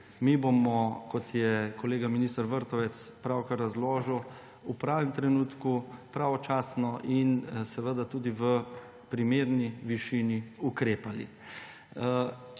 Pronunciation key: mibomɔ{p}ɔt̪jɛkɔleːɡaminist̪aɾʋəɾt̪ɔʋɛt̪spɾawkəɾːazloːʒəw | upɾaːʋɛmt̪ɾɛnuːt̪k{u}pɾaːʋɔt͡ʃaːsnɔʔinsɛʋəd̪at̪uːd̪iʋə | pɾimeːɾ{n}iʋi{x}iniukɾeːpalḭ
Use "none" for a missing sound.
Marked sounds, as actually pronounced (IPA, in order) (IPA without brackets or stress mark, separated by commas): k, u, n, ʃ